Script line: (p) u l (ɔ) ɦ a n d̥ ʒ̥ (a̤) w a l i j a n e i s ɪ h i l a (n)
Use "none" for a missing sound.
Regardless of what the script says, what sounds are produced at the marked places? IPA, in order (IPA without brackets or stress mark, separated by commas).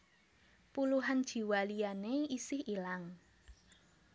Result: p, u, i̤, ŋ